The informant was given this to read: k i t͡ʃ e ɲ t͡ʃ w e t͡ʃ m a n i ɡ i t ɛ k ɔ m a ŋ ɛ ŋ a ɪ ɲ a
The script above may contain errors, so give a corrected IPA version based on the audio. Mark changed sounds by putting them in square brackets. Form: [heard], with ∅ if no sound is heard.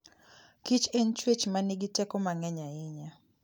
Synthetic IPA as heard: k i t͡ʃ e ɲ t͡ʃ w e t͡ʃ m a n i ɡ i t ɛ k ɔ m a ŋ ɛ [ɲ] a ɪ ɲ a